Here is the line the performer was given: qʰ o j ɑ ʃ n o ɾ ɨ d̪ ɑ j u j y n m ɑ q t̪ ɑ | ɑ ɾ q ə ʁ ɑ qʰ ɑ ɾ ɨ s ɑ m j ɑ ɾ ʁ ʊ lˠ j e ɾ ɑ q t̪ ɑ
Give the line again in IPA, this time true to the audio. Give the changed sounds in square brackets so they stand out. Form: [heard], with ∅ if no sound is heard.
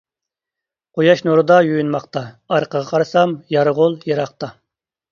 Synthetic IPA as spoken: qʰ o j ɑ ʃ n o ɾ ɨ d̪ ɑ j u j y n m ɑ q t̪ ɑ | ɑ ɾ q ə ʁ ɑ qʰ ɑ ɾ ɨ s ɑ m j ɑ ɾ ʁ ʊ lˠ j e ɾ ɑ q t̪ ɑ